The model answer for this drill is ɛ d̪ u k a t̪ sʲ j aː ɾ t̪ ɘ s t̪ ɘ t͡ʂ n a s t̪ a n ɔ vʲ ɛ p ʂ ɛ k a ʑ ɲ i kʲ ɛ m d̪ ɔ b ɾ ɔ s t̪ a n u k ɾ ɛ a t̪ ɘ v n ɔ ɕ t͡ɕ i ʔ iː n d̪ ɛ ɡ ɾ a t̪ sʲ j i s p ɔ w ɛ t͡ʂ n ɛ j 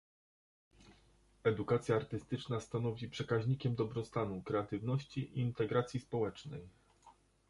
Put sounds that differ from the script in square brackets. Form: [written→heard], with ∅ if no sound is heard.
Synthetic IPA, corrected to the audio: ɛ d̪ u k a t̪ sʲ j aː ɾ t̪ ɘ s t̪ ɘ t͡ʂ n a s t̪ a n ɔ vʲ [ɛ→i] p ʂ ɛ k a ʑ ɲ i kʲ ɛ m d̪ ɔ b ɾ ɔ s t̪ a n u k ɾ ɛ a t̪ ɘ v n ɔ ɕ t͡ɕ i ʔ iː n [d̪→t̪] ɛ ɡ ɾ a t̪ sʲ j i s p ɔ w ɛ t͡ʂ n ɛ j